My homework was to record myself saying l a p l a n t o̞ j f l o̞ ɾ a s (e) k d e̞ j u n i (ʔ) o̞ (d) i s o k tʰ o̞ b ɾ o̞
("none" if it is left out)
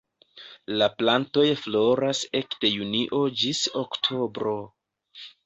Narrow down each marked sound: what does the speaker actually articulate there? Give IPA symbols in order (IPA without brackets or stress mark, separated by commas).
e, ʔ, d͡ʒ